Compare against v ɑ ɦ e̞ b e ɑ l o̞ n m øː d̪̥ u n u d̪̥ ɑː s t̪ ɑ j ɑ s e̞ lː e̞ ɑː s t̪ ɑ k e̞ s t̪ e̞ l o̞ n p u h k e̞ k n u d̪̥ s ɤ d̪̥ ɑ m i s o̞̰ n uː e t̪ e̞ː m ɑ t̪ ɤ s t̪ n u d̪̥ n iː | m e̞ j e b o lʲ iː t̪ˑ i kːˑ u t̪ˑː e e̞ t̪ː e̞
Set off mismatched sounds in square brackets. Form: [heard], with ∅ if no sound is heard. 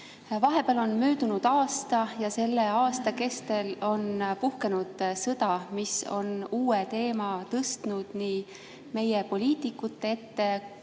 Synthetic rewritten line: v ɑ ɦ e̞ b e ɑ l o̞ n m øː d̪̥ u n u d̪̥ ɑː s t̪ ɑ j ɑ s e̞ lː e̞ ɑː s t̪ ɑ k e̞ s t̪ e̞ l o̞ n p u h k e̞ [∅] n u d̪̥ s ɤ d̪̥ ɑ m i s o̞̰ n uː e t̪ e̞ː m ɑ t̪ ɤ s t̪ n u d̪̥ n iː | m e̞ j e [p] o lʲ iː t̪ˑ i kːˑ u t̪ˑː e e̞ t̪ː e̞